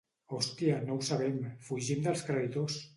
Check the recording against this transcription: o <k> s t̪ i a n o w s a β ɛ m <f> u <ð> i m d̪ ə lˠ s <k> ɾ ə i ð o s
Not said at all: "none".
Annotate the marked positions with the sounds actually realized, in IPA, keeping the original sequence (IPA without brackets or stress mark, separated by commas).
none, f, ʒ, k